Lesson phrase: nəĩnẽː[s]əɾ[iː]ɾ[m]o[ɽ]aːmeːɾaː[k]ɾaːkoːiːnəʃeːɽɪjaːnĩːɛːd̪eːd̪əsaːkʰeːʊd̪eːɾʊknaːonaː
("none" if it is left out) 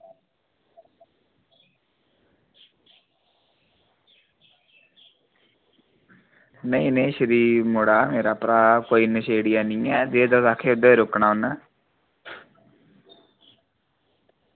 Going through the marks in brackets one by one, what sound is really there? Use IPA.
ʃ, iː, m, ɽ, p

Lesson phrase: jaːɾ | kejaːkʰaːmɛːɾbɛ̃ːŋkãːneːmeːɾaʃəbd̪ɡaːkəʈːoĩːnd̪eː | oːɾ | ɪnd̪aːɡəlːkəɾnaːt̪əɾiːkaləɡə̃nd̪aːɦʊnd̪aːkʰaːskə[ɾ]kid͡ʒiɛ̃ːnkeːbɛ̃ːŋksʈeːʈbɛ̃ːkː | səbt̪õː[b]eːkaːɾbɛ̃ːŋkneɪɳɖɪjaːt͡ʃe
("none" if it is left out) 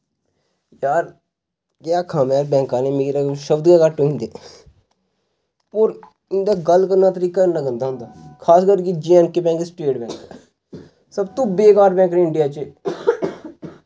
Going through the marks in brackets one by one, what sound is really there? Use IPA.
ɾ, b

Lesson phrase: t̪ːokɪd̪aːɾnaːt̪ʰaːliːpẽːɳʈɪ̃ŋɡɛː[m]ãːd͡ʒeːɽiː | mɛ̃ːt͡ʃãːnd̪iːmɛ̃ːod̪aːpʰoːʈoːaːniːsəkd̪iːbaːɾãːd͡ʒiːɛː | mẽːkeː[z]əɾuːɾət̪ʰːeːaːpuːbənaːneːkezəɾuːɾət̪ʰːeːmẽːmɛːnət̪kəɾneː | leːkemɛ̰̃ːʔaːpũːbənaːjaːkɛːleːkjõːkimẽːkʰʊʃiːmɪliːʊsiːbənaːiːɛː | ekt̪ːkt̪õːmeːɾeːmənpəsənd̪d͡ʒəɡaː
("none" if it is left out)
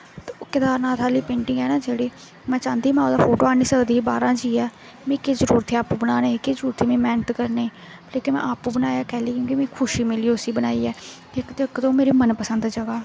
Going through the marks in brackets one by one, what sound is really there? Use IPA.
n, z

